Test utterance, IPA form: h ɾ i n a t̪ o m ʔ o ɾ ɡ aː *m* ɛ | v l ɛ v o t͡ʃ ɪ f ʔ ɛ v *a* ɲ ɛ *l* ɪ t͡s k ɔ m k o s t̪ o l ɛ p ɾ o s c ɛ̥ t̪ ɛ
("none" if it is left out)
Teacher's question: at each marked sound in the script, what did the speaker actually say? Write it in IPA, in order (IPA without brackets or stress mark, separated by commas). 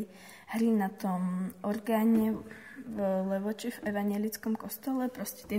ɲ, a, l